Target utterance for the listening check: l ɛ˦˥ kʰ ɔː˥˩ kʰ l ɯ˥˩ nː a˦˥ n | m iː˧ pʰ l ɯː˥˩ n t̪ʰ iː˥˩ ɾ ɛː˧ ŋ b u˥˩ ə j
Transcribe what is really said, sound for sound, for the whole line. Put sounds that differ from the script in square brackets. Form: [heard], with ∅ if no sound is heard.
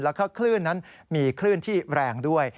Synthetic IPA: l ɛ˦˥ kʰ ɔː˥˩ kʰ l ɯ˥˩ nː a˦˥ n | m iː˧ [kʰ] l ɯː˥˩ n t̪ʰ iː˥˩ ɾ ɛː˧ ŋ [d] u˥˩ ə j